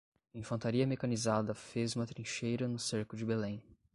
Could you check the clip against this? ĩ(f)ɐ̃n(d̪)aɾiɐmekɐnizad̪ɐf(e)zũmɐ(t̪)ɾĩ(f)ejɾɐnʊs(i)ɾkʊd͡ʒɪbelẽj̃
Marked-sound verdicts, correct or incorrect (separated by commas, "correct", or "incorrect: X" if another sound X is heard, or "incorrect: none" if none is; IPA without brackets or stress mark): correct, incorrect: t̪, correct, correct, incorrect: ʃ, incorrect: e